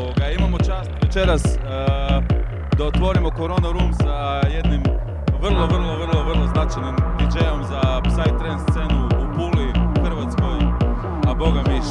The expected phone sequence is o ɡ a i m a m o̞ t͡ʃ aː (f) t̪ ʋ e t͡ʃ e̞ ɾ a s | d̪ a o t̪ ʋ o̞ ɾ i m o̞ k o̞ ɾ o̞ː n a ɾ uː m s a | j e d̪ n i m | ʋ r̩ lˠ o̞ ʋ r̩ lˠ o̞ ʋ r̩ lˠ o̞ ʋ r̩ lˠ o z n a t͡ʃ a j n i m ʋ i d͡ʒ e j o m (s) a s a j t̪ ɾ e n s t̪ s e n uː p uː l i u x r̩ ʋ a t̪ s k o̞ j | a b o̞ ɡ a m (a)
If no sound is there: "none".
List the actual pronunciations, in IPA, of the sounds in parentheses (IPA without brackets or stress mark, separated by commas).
s, z, i